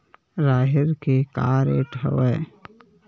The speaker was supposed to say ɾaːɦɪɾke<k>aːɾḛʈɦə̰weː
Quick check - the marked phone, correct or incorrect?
correct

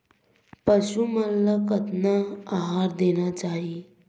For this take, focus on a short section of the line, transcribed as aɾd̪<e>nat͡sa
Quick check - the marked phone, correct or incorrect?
correct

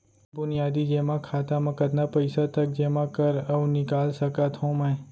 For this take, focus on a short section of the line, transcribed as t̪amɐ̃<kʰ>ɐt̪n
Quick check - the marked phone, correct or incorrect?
incorrect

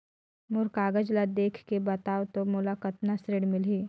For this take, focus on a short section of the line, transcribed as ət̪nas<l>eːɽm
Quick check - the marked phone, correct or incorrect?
incorrect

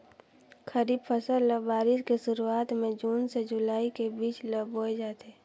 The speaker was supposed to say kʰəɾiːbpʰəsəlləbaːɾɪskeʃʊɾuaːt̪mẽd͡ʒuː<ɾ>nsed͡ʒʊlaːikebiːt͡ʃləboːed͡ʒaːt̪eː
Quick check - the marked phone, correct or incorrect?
incorrect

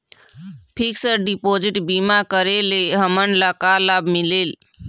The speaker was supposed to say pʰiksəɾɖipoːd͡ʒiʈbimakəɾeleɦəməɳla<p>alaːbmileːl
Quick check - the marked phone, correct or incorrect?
incorrect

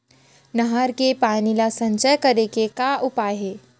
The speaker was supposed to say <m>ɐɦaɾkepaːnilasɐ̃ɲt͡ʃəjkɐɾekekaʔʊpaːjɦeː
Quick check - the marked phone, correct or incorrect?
incorrect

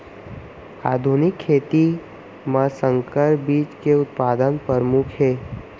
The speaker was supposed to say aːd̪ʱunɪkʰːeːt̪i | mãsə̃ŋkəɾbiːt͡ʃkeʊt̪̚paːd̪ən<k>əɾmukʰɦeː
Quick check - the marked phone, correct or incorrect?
incorrect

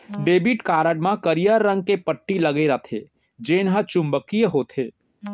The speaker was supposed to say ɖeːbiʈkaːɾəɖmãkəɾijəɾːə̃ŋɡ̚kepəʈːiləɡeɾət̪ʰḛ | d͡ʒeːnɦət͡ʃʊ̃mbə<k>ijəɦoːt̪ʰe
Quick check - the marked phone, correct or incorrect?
correct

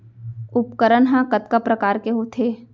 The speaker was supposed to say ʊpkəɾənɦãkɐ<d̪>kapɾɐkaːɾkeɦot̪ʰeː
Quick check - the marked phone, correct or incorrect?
incorrect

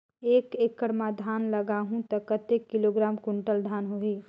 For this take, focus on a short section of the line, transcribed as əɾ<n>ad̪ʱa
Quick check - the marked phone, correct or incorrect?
incorrect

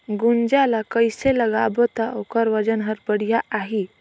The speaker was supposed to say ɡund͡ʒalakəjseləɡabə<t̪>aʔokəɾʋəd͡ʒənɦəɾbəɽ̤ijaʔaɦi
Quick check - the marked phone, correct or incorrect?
correct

